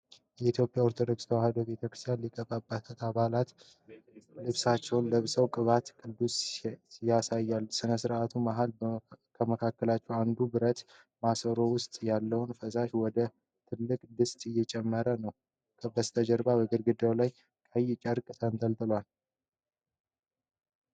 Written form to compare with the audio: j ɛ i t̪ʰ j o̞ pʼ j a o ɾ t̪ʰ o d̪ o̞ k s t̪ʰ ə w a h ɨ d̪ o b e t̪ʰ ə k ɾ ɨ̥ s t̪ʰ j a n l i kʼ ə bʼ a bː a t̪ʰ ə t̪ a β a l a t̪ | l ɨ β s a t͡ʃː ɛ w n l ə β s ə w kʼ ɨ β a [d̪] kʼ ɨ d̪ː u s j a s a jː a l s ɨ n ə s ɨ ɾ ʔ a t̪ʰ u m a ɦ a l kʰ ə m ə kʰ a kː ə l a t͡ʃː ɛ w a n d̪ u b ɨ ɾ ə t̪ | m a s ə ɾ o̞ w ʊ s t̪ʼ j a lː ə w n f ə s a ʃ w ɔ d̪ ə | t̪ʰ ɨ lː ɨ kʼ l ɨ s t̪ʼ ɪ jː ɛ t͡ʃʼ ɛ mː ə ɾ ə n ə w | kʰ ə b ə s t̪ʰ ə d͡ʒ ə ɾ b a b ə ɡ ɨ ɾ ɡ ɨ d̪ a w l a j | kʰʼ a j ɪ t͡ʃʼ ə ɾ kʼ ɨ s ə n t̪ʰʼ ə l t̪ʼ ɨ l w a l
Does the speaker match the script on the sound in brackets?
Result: no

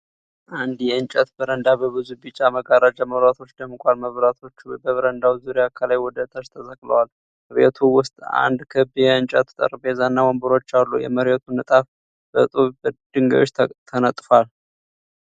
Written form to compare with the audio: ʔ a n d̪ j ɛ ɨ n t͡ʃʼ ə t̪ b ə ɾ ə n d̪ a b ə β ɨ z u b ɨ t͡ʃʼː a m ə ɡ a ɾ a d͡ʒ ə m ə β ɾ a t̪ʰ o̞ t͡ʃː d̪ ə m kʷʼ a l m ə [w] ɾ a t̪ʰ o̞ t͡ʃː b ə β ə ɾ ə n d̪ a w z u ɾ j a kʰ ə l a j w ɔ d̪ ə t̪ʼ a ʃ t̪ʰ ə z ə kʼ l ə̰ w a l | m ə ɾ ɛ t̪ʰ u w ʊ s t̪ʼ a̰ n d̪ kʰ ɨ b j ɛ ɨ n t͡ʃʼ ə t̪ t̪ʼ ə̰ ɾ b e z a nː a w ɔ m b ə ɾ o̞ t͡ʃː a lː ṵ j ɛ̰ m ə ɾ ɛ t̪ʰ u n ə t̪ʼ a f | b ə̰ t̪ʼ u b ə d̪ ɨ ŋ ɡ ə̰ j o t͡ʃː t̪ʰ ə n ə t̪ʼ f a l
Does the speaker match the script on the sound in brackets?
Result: no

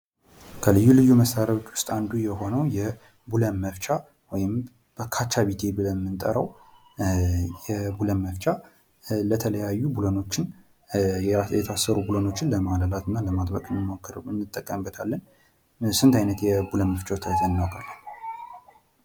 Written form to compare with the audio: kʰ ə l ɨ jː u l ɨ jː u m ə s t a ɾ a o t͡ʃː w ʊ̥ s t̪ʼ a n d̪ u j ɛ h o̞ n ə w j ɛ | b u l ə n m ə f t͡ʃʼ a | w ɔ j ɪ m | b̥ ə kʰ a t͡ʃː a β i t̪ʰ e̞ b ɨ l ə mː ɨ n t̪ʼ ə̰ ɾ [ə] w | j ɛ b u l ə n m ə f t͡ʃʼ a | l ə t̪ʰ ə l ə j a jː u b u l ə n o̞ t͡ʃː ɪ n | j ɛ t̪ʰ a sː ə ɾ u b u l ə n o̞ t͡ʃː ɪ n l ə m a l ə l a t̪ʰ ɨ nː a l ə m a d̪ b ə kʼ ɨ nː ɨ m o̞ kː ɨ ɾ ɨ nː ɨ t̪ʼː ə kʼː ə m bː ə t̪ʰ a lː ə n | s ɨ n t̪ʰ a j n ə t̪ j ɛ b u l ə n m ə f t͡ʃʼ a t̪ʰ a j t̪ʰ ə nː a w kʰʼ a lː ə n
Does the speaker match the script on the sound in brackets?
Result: yes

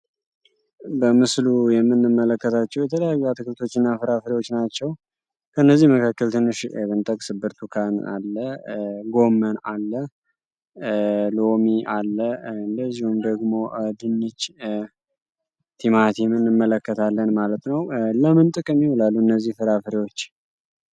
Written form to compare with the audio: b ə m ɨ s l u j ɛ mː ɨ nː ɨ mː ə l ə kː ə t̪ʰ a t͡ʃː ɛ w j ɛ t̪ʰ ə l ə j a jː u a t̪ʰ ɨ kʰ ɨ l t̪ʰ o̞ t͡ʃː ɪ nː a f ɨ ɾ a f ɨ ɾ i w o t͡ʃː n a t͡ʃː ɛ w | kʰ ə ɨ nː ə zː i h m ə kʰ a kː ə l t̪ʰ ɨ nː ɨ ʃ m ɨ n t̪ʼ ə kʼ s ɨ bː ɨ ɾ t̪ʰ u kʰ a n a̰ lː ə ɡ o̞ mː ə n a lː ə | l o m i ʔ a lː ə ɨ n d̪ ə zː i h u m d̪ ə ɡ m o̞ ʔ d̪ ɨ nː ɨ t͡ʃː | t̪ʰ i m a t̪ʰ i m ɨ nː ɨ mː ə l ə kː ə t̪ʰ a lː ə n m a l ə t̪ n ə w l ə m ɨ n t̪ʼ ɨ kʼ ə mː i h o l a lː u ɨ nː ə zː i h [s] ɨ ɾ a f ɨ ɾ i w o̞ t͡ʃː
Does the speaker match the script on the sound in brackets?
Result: no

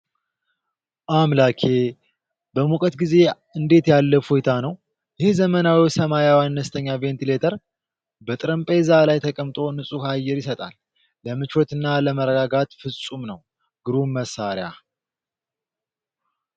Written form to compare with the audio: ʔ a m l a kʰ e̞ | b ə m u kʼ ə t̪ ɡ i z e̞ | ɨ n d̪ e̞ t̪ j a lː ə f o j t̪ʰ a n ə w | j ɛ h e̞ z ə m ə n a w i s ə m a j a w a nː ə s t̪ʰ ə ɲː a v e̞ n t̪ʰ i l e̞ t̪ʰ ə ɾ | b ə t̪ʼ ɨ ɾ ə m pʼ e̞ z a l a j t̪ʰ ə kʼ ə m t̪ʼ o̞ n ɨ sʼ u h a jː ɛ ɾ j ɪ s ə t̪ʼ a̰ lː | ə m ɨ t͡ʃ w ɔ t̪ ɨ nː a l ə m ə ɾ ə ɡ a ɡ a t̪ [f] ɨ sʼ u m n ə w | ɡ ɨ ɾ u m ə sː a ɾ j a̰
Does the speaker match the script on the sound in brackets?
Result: yes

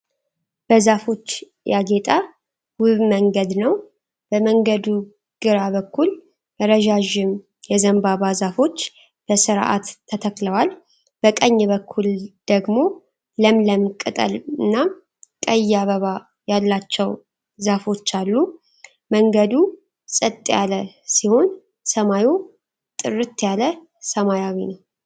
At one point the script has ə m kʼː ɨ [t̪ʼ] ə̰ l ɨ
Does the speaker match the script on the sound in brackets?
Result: yes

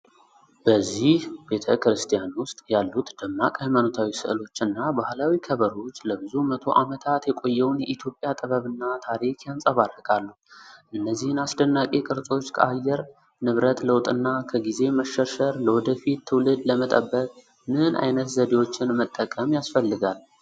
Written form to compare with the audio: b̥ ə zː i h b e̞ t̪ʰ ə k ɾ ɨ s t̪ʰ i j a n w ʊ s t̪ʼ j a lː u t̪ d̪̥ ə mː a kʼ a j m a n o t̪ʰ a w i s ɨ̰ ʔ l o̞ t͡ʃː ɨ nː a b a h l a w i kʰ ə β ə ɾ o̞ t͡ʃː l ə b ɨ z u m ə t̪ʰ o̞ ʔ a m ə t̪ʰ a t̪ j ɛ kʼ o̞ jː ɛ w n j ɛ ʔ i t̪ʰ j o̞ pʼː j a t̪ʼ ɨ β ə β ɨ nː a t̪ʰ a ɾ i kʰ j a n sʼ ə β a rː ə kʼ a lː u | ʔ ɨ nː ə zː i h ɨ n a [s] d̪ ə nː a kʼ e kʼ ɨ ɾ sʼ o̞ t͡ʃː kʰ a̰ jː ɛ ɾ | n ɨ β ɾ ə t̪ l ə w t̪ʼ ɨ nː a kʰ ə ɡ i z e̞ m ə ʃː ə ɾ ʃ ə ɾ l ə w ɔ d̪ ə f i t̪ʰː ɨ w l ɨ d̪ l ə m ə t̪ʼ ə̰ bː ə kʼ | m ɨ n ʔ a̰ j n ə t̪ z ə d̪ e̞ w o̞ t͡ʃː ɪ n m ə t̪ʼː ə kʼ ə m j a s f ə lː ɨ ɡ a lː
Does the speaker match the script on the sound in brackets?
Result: yes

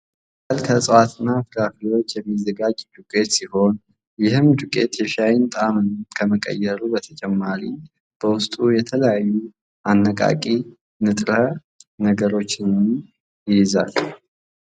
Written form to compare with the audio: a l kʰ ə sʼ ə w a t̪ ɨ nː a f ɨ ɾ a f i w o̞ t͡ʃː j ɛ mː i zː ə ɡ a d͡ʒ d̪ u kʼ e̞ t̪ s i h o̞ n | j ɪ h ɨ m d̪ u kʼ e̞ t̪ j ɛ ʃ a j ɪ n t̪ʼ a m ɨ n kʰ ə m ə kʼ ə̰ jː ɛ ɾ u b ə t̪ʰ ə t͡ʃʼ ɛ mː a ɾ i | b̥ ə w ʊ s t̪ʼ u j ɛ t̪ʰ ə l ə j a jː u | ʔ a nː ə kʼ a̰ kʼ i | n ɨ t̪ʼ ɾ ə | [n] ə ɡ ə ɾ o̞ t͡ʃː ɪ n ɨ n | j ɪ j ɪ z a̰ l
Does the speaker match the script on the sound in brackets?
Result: yes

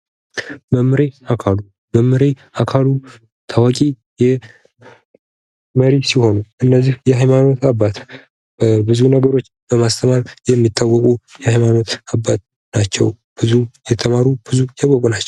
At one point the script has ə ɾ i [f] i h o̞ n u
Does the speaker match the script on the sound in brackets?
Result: no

